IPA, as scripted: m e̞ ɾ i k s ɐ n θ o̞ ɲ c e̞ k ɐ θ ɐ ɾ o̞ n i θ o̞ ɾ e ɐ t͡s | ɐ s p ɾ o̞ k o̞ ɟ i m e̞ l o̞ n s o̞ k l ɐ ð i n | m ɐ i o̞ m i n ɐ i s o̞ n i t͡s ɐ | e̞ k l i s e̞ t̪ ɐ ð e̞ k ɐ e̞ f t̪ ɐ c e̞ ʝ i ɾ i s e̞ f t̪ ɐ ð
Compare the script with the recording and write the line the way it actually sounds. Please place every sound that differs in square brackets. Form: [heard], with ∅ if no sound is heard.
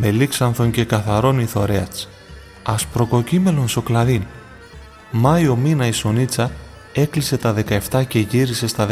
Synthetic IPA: m e̞ [l] i k s ɐ n θ o̞ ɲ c e̞ k ɐ θ ɐ ɾ o̞ n i θ o̞ ɾ e ɐ t͡s | ɐ s p ɾ o̞ k o̞ [c] i m e̞ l o̞ n s o̞ k l ɐ ð i n | m ɐ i o̞ m i n ɐ i s o̞ n i t͡s ɐ | e̞ k l i s e̞ t̪ ɐ ð e̞ k ɐ e̞ f t̪ ɐ c e̞ ʝ i ɾ i s e̞ [s] t̪ ɐ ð